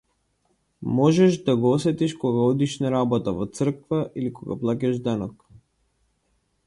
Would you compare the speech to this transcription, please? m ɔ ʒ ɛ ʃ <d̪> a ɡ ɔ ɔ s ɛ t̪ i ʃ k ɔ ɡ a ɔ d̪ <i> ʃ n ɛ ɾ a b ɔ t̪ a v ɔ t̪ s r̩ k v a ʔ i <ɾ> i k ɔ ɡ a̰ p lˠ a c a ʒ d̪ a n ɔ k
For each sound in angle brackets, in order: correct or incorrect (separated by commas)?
correct, correct, incorrect